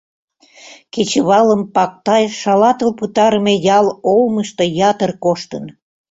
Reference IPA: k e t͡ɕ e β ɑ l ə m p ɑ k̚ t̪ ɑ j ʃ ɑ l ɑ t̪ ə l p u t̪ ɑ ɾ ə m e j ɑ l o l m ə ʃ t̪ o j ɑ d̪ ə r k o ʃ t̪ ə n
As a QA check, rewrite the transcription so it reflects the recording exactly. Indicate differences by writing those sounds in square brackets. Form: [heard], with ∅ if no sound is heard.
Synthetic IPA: k e t͡ɕ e β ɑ l ə m p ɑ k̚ t̪ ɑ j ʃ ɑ l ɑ t̪ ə l p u t̪ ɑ ɾ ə m e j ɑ l o l m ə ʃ t̪ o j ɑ [t̪] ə r k o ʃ t̪ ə n